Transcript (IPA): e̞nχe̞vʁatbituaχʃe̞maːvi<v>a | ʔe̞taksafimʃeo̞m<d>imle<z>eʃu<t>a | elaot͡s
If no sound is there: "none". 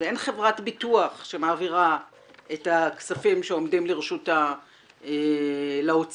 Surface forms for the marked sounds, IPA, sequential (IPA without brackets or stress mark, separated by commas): ʁ, d, ʁ, t